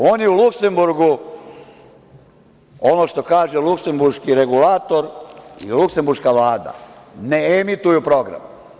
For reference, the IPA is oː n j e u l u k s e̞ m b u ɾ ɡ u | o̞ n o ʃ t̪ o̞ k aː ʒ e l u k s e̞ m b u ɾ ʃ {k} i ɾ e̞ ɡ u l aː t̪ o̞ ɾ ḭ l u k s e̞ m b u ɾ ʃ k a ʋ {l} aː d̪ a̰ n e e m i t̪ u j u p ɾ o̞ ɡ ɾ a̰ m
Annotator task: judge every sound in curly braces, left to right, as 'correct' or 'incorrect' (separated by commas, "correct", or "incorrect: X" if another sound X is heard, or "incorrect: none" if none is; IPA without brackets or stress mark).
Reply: correct, correct